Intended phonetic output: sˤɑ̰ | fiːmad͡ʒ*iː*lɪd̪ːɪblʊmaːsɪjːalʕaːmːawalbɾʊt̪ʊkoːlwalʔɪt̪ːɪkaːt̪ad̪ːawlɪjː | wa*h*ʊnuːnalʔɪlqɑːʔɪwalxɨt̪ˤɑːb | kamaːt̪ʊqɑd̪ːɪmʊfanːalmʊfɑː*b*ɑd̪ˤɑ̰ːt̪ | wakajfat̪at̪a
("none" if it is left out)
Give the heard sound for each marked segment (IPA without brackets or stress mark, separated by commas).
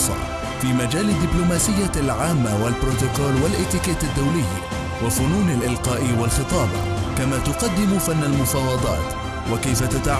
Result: aː, f, w